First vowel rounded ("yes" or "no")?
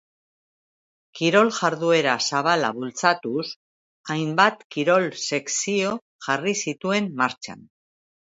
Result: no